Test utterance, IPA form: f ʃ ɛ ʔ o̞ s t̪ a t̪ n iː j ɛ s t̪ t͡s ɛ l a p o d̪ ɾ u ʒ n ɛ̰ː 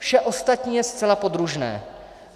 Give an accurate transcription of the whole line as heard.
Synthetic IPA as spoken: f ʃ ɛ ʔ o̞ s t̪ a t̪ ɲ iː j ɛ s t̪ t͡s ɛ l a p o d̪ ɾ u ʒ n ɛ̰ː

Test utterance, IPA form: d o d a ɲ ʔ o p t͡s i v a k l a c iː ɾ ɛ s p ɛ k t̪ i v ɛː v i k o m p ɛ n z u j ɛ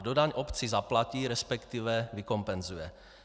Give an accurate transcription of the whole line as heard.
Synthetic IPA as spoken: d o d a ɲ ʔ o p t͡s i z a p l a c iː ɾ ɛ s p ɛ k t̪ i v ɛ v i k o m p ɛ n z u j ɛ

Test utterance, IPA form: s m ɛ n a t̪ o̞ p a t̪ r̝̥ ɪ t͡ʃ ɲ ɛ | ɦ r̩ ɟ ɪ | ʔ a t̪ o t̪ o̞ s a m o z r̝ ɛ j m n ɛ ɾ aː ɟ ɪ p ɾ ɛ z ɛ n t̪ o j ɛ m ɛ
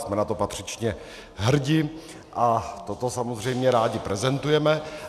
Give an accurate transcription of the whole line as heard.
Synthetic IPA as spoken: s m ɛ n a t̪ o̞ p a t̪ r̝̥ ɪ t͡ʃ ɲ ɛ | ɦ r̩ ɟ ɪ | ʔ a t̪ o t̪ o̞ s a m o z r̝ ɛ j m ɲ ɛ ɾ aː ɟ ɪ p ɾ ɛ z ɛ n t̪ u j ɛ m ɛ

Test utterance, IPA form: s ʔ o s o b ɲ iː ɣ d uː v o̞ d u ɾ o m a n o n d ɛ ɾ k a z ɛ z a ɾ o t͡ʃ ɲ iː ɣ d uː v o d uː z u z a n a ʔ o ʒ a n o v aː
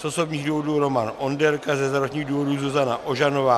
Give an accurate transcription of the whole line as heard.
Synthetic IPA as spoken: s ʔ o s o b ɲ iː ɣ d uː v o̞ d u ɾ o m a n o n d ɛ ɾ k a z ɛ z a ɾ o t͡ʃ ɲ iː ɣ d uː v o d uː z u z a n a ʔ o ʒ a n o v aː

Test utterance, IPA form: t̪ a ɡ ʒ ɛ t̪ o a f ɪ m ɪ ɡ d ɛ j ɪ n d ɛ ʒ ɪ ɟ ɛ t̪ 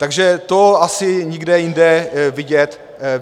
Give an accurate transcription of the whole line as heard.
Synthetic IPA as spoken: t̪ a ɡ ʒ ɛ t̪ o a s ɪ ɲ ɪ ɡ d ɛ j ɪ n d ɛ v ɪ ɟ ɛ t̪

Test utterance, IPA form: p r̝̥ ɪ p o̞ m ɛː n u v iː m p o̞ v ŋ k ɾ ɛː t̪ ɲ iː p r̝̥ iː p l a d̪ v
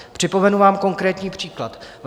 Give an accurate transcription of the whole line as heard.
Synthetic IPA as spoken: p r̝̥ ɪ p o̞ m ɛ n u v aː m k o̞ ŋ k ɾ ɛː t̪ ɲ iː p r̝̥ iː k l a t̪ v

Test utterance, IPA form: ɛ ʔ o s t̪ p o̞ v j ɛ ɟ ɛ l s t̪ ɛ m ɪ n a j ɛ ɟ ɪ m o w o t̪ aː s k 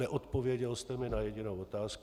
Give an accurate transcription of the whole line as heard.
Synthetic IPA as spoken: ɛ ʔ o t̪ p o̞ v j ɛ ɟ ɛ l s t̪ ɛ m ɪ n a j ɛ ɟ ɪ n o w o t̪ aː s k

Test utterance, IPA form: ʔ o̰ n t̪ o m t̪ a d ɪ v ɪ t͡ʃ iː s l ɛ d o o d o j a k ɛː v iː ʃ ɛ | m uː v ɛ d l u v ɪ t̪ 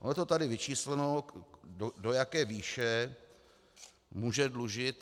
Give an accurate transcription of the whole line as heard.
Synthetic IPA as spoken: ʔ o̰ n t̪ o t̪ a d ɪ v ɪ t͡ʃ iː s l ɛ n o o d o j a k ɛː v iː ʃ ɛ | m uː ʒ ɛ d l u ʒ ɪ t̪

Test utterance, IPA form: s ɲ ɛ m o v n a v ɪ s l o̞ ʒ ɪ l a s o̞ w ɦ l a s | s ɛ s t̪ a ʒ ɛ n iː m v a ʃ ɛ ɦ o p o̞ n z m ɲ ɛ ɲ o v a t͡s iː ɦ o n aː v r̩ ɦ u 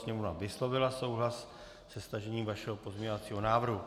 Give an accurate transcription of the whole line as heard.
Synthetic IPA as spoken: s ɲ ɛ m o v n a v ɪ s l o̞ v ɪ l a s o̞ w ɦ l a s | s ɛ s t̪ a ʒ ɛ ɲ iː m v a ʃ ɛ ɦ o p o̞ z m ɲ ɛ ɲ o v a t͡s iː ɦ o n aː v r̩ ɦ u

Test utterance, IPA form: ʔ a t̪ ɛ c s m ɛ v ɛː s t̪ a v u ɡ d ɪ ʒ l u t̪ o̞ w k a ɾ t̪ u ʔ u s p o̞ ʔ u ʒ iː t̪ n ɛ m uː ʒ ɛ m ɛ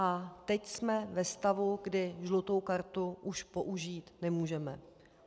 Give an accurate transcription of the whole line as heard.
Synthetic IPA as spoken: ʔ a t̪ ɛ c s m ɛ v ɛ s t̪ a v u ɡ d ɪ ʒ l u t̪ o̞ w k a ɾ t̪ u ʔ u ʃ p o̞ ʔ u ʒ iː t̪ n ɛ m uː ʒ ɛ m ɛ

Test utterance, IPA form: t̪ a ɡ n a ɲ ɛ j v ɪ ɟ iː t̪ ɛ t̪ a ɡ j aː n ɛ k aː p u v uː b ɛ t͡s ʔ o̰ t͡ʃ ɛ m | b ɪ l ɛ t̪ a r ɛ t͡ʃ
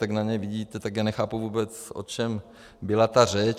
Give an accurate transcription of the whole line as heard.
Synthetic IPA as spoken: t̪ a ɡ n a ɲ ɛ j v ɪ ɟ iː t̪ ɛ t̪ a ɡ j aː n ɛ x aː p u v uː b ɛ t͡s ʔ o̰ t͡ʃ ɛ m | b ɪ l a t̪ a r ɛ t͡ʃ

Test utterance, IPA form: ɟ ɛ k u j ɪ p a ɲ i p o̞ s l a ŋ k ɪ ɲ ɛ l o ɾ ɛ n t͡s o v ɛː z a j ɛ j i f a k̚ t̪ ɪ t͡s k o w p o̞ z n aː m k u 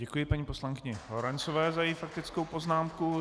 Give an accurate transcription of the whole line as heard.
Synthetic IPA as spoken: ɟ ɛ k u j ɪ p a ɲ i p o̞ s l a ŋ k ɪ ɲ ɛ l o ɾ ɛ n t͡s o v ɛː z a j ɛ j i f a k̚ t̪ ɪ t͡s k o w p o̞ z n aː m k u

